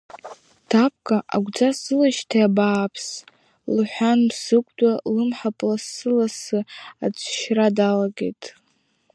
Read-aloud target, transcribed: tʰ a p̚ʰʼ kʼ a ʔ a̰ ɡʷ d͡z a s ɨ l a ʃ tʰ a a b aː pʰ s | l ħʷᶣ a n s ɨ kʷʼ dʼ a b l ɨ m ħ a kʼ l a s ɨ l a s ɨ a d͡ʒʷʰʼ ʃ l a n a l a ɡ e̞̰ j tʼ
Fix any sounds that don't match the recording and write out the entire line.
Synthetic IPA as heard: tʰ a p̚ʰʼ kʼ a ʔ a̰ ɡʷ d͡z a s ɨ l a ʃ tʰ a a b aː pʰ s | l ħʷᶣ a n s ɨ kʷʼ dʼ a l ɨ m ħ a pʼ l a s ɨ l a s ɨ a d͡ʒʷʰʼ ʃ r a d a l a ɡ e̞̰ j tʼ